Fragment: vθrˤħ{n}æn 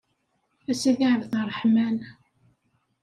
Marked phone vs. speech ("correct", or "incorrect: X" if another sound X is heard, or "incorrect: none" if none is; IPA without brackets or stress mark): incorrect: m